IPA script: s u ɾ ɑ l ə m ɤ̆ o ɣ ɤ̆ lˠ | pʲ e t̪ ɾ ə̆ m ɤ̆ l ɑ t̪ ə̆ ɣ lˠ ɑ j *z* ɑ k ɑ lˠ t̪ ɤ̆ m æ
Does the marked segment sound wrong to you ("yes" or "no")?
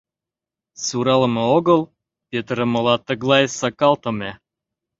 yes